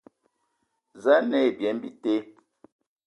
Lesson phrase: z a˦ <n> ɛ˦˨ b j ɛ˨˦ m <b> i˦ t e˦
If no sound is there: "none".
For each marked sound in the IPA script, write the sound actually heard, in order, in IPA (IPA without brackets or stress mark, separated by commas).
n, b